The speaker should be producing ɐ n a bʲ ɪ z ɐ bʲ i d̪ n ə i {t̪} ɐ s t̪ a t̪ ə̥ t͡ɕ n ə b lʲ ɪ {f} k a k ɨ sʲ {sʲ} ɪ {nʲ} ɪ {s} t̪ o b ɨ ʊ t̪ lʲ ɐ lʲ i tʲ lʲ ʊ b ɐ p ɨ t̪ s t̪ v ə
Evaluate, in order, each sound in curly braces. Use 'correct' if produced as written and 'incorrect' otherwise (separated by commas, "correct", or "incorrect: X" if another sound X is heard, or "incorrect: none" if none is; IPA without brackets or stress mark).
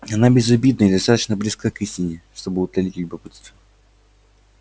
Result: incorrect: d̪, incorrect: s, incorrect: tʲ, correct, incorrect: ʂ